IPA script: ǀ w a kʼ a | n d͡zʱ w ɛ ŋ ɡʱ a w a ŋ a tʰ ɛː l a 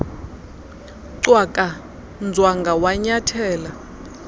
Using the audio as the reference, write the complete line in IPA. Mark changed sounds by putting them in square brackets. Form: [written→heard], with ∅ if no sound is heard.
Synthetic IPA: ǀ w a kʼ a | n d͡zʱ w [ɛ→a] ŋ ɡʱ a w a [ŋ→ɲ] a tʰ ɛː l a